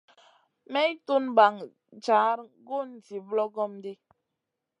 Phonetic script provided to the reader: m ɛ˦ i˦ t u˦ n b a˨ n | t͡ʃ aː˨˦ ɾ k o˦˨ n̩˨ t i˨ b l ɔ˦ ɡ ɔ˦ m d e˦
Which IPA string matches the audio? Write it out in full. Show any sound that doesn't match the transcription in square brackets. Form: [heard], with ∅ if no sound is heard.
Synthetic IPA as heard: m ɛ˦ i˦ t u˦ n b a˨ [ŋ] | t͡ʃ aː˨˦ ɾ [ɡ] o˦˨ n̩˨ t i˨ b l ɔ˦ ɡ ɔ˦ m d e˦